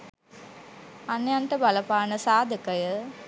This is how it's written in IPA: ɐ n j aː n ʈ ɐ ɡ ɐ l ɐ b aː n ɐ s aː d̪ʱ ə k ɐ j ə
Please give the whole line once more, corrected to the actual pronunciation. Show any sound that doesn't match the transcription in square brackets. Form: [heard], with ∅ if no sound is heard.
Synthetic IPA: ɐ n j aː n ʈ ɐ [b] ɐ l ɐ [p] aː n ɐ s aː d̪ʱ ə k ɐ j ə

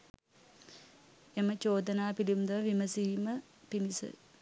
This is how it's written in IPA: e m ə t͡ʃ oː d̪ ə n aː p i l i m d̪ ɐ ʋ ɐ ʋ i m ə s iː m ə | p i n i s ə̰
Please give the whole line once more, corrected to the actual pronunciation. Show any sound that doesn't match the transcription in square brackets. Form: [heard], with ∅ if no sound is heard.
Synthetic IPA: e m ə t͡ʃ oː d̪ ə n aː p i l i m d̪ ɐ ʋ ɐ ʋ i m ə s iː m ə | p i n i s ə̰

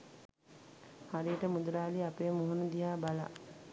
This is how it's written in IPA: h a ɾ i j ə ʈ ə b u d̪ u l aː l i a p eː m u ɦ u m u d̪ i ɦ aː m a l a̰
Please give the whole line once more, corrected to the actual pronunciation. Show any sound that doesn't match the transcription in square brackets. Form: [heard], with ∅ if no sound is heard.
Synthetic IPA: h a ɾ i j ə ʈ ə [m] u d̪ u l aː l i a p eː m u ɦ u [n] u d̪ i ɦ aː [b] a l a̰

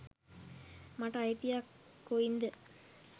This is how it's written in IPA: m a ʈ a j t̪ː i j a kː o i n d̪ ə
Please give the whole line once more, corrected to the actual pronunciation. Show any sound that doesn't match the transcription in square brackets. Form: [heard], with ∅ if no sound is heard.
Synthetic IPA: m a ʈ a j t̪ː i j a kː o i n d̪ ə

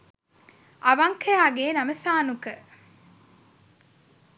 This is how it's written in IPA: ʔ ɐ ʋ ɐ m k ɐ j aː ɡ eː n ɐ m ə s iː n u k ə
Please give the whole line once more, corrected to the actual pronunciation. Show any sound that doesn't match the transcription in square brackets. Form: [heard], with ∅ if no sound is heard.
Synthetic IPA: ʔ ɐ ʋ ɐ [ŋ] k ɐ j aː ɡ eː n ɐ m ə s [aː] n u k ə

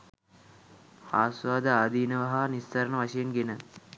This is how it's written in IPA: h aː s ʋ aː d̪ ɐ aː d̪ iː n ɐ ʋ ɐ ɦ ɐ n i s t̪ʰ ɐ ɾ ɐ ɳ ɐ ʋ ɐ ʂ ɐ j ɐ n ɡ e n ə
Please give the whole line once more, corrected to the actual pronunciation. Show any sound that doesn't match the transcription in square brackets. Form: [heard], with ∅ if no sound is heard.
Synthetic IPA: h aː s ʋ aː d̪ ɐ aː d̪ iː n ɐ ʋ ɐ ɦ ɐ n i s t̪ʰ ɐ ɾ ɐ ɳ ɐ ʋ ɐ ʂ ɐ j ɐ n ɡ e n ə

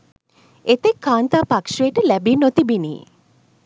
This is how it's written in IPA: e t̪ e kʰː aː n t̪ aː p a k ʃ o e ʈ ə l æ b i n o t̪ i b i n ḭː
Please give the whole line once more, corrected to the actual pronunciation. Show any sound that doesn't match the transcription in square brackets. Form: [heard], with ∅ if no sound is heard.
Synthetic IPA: e t̪ e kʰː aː n t̪ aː p a k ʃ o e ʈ ə l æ b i n o t̪ i b i n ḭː

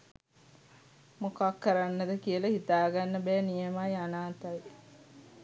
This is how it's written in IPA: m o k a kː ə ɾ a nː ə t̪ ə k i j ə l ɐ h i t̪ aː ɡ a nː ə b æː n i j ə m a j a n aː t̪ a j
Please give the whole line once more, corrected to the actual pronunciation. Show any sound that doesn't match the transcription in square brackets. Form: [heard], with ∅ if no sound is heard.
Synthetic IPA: m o k a kː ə ɾ a nː ə [d̪] ə k i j ə l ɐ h i t̪ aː ɡ a nː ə b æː n i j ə m a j a n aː t̪ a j

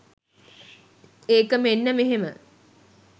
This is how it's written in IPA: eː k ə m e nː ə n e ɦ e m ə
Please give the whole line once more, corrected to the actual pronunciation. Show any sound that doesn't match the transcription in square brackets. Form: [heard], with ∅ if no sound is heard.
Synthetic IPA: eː k ə m e nː ə [m] e ɦ e m ə

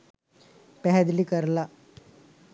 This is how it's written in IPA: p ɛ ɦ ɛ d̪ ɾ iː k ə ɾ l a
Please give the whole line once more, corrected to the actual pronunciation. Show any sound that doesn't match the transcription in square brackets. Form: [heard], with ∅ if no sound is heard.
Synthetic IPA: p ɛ ɦ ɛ d̪ [l] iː k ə ɾ l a

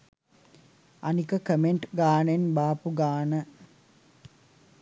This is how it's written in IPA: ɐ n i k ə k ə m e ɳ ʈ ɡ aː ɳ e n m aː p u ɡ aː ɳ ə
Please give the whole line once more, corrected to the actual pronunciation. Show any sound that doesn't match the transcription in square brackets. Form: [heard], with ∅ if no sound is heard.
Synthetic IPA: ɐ n i k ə k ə m e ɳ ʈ ɡ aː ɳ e n [b] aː p u ɡ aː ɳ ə

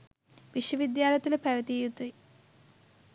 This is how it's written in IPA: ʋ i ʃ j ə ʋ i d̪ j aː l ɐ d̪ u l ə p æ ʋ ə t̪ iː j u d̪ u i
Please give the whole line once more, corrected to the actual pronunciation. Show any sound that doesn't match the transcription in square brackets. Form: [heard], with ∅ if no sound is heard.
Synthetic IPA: ʋ i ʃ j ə ʋ i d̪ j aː l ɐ [t̪] u l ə p æ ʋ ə t̪ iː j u [t̪] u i

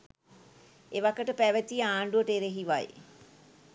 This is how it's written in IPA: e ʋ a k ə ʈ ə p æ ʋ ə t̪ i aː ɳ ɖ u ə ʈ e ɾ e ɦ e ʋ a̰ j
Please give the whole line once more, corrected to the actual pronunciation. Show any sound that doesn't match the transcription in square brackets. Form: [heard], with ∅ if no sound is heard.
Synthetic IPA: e ʋ a k ə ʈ ə p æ ʋ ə t̪ i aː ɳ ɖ u ə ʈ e ɾ e ɦ [i] ʋ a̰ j

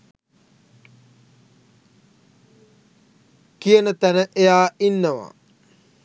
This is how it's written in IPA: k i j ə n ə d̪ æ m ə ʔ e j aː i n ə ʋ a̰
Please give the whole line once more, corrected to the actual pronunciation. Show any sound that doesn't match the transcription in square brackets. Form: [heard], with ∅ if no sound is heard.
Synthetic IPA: k i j ə n ə [t̪] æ [n] ə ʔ e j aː i [nː] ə ʋ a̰

